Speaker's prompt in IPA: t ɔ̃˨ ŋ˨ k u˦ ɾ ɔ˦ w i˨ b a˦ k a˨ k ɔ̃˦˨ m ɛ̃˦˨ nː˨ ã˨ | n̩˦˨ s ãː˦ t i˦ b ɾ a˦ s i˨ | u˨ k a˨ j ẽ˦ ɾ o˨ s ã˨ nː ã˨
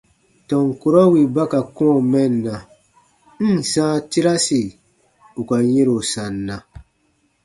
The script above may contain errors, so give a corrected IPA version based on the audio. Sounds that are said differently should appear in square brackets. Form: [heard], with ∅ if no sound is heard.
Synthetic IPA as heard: t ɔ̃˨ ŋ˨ k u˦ ɾ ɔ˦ w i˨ b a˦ k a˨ k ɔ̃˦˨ m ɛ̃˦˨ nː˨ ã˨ | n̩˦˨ s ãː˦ t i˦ [∅] ɾ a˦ s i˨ | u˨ k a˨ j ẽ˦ ɾ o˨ s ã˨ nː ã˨